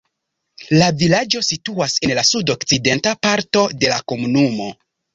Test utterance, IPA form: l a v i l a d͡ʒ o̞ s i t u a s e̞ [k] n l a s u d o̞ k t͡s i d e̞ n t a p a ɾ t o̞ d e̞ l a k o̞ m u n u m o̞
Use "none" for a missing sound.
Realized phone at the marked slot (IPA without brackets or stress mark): none